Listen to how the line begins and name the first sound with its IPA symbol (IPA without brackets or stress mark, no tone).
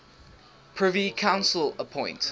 pʰ